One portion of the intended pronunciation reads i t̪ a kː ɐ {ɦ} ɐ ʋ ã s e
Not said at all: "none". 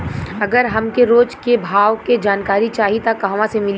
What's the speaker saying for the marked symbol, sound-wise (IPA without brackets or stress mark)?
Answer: ɦ